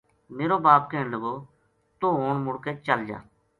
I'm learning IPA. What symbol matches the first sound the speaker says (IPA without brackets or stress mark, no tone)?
m